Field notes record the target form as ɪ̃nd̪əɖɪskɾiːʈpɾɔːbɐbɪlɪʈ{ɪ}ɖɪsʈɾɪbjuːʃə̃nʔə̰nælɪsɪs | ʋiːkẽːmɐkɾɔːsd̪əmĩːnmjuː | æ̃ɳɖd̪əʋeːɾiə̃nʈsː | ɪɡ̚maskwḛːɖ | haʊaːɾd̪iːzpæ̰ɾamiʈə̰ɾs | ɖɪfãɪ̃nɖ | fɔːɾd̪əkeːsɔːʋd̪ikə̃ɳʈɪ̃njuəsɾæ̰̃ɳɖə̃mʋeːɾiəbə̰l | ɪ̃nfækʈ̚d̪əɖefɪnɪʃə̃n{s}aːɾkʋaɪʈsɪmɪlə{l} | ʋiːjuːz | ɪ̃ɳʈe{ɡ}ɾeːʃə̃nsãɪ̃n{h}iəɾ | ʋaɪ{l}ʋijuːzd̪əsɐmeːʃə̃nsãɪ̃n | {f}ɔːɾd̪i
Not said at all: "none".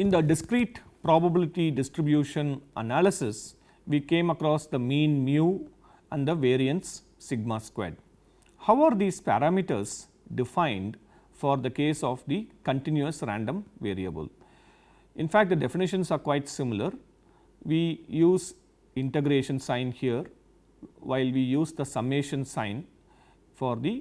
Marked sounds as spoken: i, s, ɾ, ɡ, h, l, f

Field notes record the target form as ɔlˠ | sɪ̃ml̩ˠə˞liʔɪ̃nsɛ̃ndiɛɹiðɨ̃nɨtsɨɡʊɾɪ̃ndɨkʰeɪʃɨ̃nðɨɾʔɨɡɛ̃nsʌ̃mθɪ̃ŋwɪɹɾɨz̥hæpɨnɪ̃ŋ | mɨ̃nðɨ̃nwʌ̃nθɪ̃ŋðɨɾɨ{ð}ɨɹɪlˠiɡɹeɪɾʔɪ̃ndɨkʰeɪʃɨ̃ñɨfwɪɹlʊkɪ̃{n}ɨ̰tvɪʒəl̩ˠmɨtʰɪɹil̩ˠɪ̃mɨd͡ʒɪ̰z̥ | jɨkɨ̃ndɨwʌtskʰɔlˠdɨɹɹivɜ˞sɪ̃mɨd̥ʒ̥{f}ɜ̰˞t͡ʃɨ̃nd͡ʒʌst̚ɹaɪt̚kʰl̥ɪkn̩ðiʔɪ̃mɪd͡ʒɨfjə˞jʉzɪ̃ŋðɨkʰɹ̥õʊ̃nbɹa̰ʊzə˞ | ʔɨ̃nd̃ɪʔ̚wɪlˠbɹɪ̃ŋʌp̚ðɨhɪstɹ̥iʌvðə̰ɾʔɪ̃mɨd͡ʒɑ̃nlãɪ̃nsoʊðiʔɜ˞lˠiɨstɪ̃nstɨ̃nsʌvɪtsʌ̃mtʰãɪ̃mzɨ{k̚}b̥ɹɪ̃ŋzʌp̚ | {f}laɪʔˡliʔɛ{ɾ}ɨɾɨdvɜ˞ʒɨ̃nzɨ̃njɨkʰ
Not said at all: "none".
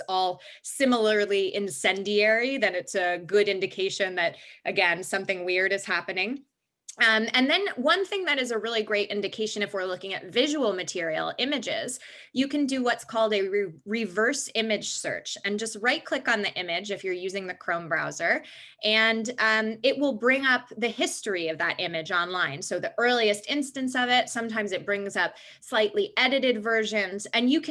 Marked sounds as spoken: z, ŋ, s, t̚, s, ɾ

